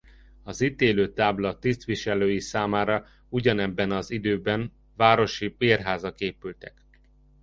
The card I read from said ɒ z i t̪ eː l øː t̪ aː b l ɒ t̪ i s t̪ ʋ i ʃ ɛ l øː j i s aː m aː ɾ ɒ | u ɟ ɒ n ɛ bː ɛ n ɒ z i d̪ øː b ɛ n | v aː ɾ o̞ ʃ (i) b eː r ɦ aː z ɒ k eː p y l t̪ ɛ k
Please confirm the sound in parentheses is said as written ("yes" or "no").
yes